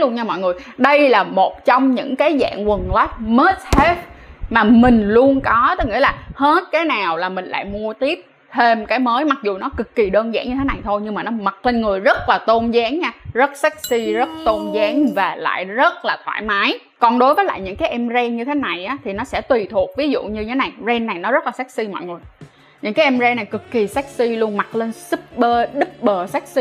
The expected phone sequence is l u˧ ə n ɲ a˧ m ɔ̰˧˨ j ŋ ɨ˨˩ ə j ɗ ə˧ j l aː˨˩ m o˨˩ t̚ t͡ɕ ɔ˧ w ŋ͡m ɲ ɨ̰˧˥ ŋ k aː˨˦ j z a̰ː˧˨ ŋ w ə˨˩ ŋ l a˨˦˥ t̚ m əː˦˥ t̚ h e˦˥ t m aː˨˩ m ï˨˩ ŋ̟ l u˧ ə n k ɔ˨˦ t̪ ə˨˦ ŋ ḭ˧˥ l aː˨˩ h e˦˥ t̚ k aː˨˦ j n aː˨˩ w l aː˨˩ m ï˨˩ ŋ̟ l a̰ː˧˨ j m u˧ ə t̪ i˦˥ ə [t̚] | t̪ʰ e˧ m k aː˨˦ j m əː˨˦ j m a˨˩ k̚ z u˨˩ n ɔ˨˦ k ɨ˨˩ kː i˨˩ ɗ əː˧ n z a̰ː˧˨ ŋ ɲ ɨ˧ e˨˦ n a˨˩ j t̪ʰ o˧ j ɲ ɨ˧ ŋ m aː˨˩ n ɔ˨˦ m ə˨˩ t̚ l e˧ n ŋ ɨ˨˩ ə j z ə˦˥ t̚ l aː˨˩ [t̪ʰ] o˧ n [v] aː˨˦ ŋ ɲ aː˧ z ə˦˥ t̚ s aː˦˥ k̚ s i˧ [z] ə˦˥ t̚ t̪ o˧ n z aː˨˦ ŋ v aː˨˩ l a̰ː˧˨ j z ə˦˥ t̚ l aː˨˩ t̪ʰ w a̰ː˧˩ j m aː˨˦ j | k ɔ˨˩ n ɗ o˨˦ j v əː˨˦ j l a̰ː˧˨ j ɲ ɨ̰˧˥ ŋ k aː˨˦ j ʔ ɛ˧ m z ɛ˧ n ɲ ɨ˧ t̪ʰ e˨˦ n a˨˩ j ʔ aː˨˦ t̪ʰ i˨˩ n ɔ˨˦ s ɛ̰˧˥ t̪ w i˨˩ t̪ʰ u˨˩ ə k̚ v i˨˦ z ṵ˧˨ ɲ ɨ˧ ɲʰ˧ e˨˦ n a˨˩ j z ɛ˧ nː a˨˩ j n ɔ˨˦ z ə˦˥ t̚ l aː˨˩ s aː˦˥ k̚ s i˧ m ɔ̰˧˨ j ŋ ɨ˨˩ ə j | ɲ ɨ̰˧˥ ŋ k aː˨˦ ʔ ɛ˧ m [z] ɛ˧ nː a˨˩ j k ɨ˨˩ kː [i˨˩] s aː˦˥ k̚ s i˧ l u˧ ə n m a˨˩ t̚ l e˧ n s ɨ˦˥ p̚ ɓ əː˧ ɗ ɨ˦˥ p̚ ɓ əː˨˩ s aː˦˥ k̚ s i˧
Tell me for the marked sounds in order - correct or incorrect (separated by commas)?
incorrect, incorrect, incorrect, correct, correct, correct